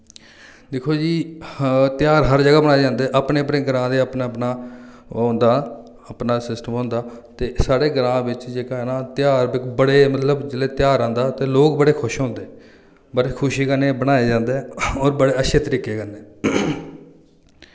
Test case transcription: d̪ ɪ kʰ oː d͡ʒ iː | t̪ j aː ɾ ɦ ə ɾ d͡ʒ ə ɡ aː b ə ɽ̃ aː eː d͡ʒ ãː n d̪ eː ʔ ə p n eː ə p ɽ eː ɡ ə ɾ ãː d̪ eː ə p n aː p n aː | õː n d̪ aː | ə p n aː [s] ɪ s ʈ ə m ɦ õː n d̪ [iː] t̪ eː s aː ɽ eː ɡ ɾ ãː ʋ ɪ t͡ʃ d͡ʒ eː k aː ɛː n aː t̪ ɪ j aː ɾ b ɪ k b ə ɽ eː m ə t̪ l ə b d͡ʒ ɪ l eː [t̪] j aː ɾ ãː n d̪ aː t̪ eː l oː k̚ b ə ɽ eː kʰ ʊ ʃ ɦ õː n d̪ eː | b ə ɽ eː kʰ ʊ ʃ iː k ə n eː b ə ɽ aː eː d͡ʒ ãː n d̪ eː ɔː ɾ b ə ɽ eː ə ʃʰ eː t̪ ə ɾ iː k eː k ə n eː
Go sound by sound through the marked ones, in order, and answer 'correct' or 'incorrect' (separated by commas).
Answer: correct, incorrect, correct